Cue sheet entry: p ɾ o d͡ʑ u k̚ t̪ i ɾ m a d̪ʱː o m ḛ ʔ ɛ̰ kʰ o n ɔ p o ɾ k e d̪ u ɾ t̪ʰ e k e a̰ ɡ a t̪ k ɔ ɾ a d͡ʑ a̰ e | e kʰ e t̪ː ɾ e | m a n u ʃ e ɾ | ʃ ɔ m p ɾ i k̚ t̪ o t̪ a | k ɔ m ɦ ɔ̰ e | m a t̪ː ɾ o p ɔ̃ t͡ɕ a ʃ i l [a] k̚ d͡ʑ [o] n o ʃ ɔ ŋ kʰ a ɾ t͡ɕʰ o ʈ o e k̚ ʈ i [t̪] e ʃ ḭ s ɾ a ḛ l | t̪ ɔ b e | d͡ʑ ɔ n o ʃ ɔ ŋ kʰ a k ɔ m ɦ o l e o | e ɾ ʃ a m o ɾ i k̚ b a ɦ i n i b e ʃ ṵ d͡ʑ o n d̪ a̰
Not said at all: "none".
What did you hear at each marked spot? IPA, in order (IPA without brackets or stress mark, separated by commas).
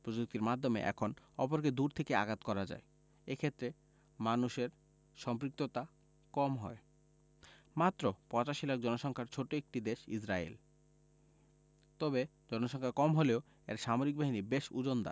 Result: a, ɔ, d̪